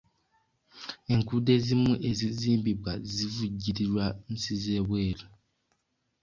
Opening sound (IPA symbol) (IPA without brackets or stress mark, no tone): e̞